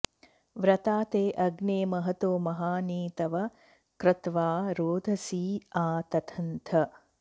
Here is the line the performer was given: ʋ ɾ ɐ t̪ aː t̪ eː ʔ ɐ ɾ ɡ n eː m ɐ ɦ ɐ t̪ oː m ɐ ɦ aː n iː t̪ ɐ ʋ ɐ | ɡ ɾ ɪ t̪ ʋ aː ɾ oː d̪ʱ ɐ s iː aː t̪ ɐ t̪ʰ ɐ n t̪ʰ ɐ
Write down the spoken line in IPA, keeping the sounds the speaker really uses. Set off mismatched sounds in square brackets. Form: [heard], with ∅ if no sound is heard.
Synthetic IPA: ʋ ɾ ɐ t̪ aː t̪ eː ʔ ɐ [∅] ɡ n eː m ɐ ɦ ɐ t̪ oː m ɐ ɦ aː n iː t̪ ɐ ʋ ɐ | [k] ɾ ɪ t̪ ʋ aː ɾ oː d̪ʱ ɐ s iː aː t̪ ɐ t̪ʰ ɐ n t̪ʰ ɐ